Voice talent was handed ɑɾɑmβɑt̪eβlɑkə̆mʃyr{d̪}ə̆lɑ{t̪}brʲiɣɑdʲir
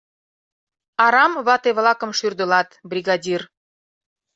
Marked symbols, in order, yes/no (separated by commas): yes, yes